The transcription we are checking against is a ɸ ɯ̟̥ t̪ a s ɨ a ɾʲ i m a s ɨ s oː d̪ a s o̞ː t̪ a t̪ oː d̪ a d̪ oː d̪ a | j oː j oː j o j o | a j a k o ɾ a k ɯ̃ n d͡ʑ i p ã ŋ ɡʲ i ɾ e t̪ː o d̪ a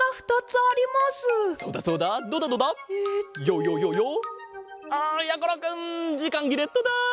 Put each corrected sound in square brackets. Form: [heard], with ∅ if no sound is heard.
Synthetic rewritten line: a ɸ ɯ̟̥ t̪ a [t͡s] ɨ a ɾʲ i m a s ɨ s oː d̪ a s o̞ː [d̪] a [d̪] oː d̪ a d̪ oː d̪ a | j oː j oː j o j o | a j a k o ɾ a k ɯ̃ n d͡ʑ i [k] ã ŋ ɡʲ i ɾ e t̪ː o d̪ a